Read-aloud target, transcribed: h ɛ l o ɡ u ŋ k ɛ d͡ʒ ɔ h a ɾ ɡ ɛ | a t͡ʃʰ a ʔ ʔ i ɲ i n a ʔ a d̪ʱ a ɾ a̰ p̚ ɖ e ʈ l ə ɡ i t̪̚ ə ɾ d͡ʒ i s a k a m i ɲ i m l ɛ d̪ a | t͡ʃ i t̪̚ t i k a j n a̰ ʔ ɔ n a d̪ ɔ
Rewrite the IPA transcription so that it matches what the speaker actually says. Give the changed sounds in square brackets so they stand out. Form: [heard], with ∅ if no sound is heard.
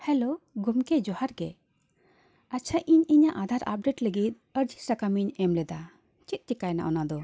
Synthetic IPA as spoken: h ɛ l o ɡ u [m] k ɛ d͡ʒ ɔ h a ɾ ɡ ɛ | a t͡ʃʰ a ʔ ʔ i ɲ i [ɲ] a ʔ a d̪ʱ a ɾ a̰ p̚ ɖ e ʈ l ə ɡ i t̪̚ ə ɾ d͡ʒ i s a k a m i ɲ [ɛ] m l ɛ d̪ a | t͡ʃ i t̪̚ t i k a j n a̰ ʔ ɔ n a d̪ ɔ